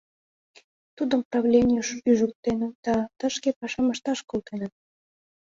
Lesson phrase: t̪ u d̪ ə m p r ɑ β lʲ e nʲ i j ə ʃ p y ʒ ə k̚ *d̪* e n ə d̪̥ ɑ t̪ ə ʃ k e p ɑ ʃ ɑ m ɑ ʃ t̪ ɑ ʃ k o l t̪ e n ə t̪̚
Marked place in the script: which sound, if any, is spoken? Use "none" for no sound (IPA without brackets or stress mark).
t̪